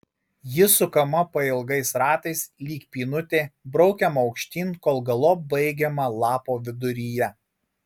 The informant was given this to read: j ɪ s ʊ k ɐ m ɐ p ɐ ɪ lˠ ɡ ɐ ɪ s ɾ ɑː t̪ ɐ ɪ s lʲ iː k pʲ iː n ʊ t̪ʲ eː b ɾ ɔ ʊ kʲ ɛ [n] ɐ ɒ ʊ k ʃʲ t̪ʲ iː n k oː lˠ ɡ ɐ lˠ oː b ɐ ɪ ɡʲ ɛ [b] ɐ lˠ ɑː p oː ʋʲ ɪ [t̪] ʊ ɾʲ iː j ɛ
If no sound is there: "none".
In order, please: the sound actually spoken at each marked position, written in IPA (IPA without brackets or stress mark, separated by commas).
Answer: m, m, d̪